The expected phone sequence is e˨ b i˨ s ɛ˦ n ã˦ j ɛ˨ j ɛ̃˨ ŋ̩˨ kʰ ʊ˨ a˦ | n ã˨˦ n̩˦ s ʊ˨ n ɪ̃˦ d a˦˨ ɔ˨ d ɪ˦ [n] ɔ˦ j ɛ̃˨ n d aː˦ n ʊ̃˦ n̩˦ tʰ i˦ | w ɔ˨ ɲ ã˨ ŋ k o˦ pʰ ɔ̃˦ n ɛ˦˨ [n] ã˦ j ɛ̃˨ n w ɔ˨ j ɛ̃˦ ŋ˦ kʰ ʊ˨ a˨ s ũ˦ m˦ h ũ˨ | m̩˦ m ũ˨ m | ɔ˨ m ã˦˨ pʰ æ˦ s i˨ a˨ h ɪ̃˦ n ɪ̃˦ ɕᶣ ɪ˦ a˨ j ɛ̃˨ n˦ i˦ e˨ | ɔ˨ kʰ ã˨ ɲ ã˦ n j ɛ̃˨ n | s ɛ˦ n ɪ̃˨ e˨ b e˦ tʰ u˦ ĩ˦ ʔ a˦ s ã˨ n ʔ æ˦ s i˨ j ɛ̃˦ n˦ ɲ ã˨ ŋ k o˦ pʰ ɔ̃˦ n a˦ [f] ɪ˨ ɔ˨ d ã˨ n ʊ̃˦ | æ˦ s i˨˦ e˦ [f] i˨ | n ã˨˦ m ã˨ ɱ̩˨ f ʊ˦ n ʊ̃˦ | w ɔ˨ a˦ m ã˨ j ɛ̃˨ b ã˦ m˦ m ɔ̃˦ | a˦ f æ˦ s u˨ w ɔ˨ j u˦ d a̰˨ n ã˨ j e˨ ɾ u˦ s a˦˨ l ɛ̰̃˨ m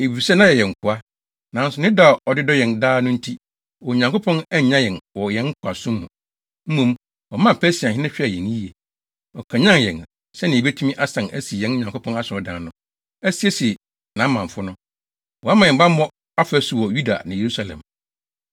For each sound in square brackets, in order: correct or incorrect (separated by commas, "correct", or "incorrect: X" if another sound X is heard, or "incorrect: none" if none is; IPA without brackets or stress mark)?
incorrect: d, incorrect: ɲ, incorrect: s, incorrect: s